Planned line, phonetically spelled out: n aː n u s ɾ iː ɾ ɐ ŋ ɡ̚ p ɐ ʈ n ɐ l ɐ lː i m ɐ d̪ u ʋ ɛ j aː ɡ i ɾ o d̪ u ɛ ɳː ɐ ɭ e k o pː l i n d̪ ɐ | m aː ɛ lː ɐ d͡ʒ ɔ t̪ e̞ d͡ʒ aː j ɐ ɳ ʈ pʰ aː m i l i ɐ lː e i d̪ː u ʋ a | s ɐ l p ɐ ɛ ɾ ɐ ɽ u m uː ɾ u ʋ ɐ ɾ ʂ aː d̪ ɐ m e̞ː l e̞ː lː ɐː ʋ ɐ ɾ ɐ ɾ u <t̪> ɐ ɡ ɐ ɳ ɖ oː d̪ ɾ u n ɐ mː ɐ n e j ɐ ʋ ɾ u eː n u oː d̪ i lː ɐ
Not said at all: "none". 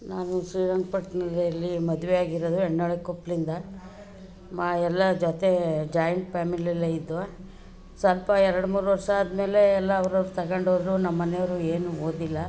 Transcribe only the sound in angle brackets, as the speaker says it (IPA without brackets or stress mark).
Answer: t̪